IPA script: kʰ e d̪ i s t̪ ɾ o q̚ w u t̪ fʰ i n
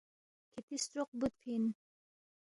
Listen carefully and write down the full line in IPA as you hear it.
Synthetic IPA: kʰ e t̪ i s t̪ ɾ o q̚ b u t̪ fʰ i n